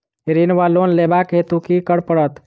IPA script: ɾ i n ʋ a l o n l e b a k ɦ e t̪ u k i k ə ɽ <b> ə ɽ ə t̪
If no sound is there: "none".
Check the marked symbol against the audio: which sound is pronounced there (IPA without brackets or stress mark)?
p